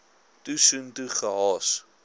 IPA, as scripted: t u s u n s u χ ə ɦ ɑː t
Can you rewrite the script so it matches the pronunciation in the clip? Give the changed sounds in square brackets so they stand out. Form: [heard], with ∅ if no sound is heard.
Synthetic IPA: t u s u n [t] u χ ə ɦ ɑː [s]